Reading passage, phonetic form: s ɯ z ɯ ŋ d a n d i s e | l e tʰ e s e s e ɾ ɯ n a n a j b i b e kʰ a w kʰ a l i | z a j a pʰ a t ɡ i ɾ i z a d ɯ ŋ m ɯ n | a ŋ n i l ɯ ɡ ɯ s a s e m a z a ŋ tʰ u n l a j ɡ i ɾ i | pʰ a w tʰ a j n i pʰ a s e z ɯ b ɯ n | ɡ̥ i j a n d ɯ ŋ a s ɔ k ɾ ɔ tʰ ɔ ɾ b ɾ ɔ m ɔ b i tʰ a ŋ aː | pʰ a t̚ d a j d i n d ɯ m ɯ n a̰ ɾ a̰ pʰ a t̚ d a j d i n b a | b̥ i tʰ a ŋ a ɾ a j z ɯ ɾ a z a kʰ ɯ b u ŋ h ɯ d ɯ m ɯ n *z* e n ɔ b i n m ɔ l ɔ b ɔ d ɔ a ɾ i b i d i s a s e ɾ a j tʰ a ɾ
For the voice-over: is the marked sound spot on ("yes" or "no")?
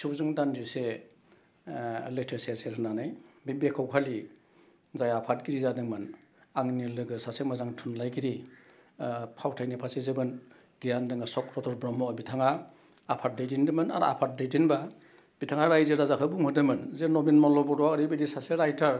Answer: yes